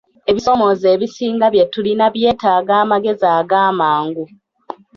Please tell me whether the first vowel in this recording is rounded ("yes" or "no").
no